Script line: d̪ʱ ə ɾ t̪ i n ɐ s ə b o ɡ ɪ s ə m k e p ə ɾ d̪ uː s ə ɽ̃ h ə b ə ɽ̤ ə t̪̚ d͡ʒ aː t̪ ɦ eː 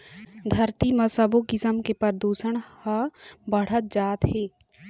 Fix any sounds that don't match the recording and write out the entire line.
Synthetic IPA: d̪ʱ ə ɾ t̪ i m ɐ s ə b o ɡ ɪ s ə m k e p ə ɾ d̪ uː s ə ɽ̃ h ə b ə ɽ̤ ə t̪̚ d͡ʒ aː t̪ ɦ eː